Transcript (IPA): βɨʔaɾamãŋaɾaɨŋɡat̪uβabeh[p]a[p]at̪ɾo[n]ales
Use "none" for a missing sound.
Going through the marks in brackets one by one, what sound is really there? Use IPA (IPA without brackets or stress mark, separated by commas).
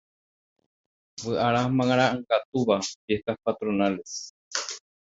k, p, n